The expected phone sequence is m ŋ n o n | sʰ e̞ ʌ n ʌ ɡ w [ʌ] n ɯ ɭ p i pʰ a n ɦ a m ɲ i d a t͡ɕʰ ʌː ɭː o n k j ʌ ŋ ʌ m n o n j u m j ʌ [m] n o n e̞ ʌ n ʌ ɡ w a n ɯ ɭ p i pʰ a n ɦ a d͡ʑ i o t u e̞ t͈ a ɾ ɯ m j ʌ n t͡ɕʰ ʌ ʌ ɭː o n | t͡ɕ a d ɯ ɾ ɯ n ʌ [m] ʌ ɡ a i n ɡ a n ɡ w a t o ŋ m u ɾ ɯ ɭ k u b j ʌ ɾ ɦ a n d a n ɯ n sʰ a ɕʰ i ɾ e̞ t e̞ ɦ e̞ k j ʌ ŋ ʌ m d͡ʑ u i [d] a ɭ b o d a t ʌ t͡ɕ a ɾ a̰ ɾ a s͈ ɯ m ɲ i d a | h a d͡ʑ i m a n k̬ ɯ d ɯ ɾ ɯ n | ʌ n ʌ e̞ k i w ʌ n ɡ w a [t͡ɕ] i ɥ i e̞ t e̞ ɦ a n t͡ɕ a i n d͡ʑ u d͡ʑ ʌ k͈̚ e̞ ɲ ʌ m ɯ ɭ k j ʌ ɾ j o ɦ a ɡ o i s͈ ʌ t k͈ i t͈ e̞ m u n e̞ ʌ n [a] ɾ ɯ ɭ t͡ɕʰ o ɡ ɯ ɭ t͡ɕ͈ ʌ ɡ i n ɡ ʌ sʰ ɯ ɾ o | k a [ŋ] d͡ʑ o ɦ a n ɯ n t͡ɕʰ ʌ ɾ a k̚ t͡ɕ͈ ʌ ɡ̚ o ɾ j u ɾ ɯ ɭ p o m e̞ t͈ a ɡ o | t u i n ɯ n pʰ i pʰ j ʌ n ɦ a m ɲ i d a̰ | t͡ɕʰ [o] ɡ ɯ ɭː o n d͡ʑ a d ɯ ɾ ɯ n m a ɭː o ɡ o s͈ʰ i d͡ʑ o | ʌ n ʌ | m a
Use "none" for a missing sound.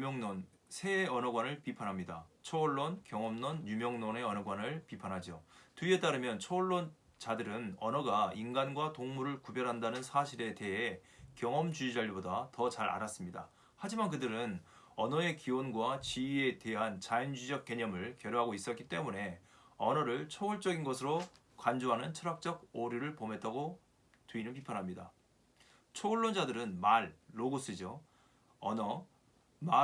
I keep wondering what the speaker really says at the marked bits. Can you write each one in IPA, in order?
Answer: a, ŋ, n, d͡ʑ, t͡ɕ, ʌ, n, o

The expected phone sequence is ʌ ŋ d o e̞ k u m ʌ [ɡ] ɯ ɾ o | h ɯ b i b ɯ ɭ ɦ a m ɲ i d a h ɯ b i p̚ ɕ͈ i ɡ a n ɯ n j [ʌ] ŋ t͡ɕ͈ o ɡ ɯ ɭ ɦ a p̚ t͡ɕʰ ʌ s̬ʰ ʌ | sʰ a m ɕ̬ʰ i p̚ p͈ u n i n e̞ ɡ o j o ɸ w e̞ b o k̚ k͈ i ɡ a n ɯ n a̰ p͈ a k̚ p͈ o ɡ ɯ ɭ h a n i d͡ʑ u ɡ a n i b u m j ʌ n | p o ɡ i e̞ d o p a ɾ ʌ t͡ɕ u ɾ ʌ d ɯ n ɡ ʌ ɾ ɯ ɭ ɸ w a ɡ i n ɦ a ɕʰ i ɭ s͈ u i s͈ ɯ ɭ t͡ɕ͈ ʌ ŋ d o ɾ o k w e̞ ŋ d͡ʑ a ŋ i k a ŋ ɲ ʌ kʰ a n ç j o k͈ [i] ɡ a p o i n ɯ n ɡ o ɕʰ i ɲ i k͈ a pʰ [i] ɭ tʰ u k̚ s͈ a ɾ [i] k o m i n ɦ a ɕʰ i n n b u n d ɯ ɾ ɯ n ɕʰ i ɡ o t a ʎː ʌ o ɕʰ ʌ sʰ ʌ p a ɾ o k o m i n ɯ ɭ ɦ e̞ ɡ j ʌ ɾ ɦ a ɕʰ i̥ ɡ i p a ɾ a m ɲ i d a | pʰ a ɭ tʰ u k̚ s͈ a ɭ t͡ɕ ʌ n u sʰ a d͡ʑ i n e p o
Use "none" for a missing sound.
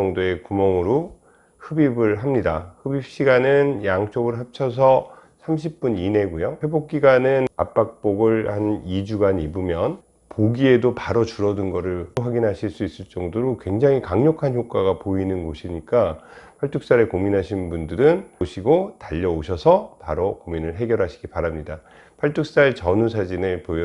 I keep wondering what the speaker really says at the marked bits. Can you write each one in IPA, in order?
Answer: ŋ, a, a, a, e

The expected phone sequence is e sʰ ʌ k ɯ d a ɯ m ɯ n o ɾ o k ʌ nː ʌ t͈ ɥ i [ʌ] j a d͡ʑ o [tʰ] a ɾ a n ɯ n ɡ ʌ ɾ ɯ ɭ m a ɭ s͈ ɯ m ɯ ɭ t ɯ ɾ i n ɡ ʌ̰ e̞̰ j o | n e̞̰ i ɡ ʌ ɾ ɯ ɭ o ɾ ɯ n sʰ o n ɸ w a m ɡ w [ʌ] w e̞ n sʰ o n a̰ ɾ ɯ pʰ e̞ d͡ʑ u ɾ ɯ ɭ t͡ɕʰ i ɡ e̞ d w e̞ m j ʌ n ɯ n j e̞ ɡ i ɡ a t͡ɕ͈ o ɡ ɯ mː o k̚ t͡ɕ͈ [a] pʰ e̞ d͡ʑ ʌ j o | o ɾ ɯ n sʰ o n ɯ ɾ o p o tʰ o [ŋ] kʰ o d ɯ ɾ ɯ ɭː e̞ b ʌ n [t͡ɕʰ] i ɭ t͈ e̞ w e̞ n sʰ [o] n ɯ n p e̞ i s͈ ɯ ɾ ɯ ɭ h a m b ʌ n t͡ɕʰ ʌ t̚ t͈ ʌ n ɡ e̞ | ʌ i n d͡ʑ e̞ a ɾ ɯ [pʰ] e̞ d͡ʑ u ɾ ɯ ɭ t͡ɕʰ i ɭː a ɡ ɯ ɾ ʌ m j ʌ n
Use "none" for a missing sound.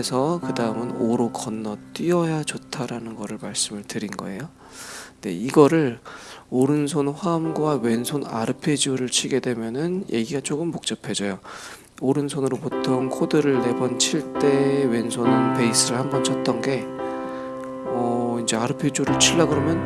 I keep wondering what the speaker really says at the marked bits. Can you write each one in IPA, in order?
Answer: ʌ, tʰ, a, ʌ, ŋ, t͡ɕʰ, o, pʰ

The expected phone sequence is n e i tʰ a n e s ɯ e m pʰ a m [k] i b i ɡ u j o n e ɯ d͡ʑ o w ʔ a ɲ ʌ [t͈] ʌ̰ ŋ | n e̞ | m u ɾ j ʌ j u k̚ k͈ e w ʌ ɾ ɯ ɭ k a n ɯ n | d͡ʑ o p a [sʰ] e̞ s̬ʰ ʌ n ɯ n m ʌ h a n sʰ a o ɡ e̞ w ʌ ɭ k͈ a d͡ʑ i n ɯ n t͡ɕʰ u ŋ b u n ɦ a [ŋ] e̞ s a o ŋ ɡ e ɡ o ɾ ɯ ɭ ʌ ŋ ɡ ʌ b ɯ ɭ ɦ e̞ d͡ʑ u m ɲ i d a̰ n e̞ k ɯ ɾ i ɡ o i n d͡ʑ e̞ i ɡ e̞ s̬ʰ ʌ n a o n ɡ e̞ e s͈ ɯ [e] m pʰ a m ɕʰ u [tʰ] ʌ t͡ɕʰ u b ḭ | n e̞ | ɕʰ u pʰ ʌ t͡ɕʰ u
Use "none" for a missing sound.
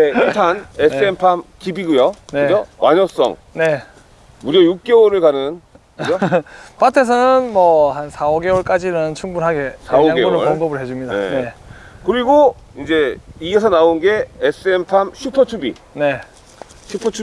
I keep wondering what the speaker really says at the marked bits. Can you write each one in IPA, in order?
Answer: k, s͈, tʰ, ɡ, e, pʰ

